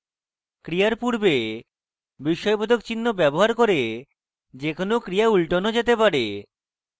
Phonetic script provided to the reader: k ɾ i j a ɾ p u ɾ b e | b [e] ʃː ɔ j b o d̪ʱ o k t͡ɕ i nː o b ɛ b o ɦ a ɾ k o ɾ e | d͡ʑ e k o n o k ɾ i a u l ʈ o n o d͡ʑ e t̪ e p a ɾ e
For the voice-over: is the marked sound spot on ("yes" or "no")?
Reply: no